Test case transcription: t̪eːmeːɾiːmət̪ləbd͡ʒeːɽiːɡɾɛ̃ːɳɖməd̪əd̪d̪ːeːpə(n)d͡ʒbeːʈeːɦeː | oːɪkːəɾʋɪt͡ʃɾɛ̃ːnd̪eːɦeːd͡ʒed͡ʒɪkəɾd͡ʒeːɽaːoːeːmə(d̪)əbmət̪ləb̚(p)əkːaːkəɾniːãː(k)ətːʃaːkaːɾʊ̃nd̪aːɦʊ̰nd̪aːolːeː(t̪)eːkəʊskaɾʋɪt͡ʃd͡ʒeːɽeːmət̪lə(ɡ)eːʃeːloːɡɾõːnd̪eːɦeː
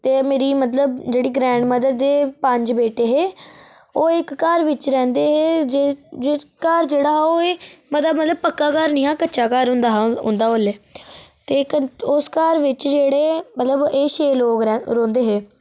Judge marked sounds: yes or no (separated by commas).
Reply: no, no, yes, yes, yes, no